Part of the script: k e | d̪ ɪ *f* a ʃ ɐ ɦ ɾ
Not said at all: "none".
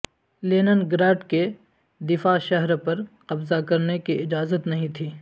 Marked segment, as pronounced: f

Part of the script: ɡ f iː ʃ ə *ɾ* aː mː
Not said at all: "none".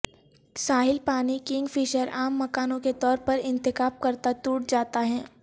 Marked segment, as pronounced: ɾ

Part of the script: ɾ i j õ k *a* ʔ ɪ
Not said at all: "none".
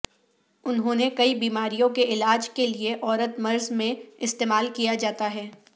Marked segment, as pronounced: e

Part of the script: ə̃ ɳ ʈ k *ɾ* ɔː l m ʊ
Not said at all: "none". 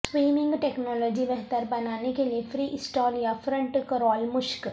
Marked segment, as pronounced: ɾ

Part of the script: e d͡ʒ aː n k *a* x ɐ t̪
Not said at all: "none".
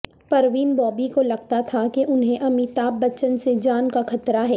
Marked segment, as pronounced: a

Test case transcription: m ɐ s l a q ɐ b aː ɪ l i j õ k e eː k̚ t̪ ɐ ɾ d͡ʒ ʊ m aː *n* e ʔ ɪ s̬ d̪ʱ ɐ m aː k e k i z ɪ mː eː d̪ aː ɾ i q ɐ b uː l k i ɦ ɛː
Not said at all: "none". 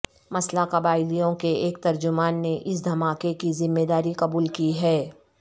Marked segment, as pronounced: nː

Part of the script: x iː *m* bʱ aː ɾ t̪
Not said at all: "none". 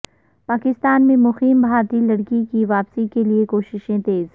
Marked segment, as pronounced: m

